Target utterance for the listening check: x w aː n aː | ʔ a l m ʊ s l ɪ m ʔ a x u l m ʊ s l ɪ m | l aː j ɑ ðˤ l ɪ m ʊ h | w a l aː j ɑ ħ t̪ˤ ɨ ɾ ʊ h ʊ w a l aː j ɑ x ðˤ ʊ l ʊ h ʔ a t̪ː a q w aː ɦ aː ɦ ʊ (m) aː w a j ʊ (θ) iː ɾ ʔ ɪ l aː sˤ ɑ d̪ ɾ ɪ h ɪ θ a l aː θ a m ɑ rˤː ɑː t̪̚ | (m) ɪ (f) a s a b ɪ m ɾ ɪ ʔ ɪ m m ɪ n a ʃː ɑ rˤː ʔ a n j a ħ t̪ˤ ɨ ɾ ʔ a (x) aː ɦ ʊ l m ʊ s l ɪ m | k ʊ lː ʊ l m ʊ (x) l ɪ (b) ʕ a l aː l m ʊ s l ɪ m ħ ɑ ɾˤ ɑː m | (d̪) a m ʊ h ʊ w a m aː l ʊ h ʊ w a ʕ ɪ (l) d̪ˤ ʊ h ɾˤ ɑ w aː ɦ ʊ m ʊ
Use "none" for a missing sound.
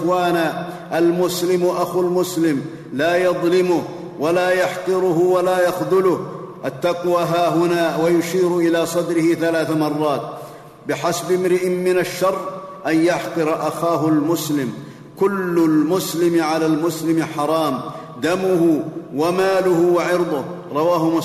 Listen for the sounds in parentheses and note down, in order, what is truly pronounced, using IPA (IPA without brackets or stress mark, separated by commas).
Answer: n, ʃ, b, ħ, x, s, m, d̪, ɾ